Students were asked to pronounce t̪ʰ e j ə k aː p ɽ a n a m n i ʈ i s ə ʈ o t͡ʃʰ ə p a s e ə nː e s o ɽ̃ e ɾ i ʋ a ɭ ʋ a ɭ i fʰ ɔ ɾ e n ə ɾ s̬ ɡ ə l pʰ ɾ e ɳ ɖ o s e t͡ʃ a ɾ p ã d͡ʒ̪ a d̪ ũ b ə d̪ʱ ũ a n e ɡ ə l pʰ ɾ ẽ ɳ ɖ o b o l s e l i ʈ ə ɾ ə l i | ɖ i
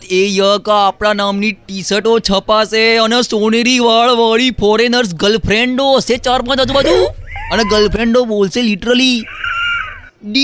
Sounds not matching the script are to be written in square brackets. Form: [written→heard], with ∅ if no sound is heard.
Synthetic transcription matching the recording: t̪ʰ e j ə k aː p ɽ a n a m n i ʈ i s ə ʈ o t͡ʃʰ ə p a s e ə [nː→n] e s o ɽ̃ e ɾ i ʋ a ɭ ʋ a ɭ i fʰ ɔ ɾ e n ə ɾ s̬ ɡ ə l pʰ ɾ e ɳ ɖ o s e t͡ʃ a ɾ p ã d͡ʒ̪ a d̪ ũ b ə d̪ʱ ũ [a→ə] n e ɡ ə l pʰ ɾ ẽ ɳ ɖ o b o l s e l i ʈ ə ɾ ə l i | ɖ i